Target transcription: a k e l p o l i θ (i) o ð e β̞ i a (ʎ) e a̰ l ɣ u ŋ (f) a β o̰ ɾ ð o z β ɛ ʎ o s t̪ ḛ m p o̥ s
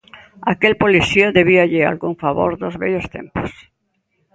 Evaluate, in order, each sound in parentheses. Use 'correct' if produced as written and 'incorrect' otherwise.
correct, correct, correct

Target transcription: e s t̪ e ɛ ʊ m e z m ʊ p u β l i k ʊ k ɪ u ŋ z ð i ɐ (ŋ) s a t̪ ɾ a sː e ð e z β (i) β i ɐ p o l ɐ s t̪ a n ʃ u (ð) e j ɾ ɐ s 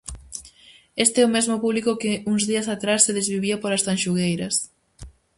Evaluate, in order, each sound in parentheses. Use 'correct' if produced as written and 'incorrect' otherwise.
incorrect: none, correct, incorrect: ɣ

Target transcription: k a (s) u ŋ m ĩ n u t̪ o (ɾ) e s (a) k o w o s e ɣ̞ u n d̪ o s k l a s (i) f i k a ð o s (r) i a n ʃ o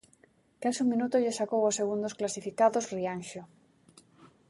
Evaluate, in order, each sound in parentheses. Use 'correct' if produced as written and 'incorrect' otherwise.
correct, incorrect: ʎ, correct, correct, correct

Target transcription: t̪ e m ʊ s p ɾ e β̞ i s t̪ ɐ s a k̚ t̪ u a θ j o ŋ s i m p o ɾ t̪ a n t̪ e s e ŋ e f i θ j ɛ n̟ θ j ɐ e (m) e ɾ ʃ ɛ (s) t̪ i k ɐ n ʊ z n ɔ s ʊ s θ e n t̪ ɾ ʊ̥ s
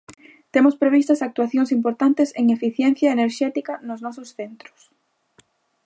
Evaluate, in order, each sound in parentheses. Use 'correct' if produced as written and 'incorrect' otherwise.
incorrect: n, incorrect: none

